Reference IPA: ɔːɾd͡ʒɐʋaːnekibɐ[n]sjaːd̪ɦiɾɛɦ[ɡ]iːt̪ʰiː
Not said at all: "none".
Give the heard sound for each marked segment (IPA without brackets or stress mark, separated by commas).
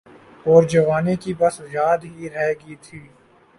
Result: none, ɡ